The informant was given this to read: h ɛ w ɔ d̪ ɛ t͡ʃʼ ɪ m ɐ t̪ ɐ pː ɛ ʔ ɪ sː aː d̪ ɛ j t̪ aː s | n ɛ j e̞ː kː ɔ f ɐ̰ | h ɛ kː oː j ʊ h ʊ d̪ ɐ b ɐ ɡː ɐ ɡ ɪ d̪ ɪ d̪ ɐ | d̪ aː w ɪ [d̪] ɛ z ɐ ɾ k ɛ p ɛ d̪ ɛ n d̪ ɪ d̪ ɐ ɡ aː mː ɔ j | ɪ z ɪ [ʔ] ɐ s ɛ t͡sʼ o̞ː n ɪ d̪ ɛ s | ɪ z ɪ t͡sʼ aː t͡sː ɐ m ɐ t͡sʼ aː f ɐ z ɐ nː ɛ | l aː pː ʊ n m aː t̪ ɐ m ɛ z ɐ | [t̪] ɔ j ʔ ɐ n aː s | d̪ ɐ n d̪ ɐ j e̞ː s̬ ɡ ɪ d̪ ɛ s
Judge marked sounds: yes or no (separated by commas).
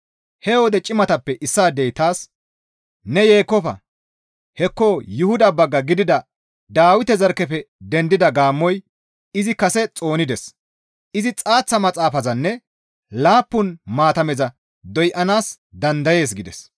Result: no, no, no